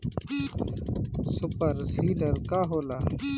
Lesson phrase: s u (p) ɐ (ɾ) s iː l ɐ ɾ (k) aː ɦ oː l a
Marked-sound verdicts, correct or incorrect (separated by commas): correct, correct, correct